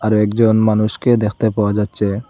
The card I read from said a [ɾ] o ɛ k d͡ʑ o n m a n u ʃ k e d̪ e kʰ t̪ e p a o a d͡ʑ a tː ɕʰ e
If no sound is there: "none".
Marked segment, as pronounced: ɾ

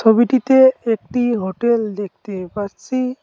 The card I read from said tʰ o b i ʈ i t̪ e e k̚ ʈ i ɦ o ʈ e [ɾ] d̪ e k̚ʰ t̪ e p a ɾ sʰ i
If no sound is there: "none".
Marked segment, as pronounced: l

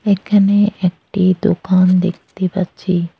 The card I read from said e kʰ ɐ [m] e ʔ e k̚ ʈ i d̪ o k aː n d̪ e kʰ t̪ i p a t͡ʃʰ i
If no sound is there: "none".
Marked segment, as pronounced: n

